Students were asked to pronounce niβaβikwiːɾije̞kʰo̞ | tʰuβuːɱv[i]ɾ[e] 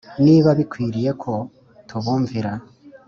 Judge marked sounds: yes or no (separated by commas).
yes, no